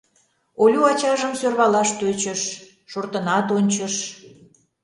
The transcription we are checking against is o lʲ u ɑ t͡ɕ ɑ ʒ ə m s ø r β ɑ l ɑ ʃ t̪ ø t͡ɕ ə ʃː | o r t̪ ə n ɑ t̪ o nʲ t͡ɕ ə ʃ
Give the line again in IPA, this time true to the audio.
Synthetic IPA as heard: o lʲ u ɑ t͡ɕ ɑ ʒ ə m s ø r β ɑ l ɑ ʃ t̪ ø t͡ɕ ə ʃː | o r t̪ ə n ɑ t̪ o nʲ t͡ɕ ə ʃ